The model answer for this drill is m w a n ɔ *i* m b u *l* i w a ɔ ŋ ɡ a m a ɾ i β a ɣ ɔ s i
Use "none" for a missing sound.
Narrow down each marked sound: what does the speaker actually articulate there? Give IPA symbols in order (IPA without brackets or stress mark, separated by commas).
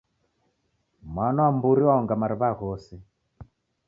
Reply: a, ɾ